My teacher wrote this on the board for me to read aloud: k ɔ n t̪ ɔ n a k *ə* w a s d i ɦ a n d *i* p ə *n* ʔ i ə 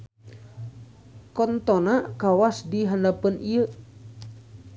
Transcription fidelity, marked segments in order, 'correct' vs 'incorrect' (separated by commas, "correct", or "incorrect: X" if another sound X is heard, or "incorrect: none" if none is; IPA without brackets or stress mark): incorrect: a, incorrect: a, correct